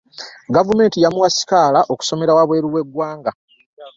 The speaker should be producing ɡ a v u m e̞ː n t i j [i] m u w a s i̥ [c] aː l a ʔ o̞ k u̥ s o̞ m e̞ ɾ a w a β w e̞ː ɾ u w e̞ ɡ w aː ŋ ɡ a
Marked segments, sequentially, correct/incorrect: incorrect, incorrect

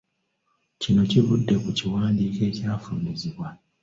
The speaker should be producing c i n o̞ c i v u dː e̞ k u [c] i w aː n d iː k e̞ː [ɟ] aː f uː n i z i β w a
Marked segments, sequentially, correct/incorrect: correct, incorrect

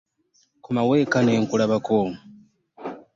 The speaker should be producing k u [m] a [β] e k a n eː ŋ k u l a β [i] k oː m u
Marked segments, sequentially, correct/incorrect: correct, incorrect, incorrect

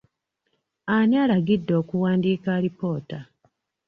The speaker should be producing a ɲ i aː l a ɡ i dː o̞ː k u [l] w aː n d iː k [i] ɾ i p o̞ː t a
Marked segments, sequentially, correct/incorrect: incorrect, incorrect

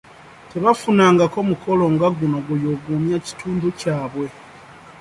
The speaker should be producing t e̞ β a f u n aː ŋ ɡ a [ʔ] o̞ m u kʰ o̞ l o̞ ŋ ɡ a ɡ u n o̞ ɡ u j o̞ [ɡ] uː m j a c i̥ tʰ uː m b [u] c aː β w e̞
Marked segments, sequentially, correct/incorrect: incorrect, correct, correct

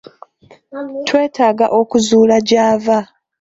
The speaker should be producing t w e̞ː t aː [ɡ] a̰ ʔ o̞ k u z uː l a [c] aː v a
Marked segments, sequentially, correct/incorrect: correct, incorrect

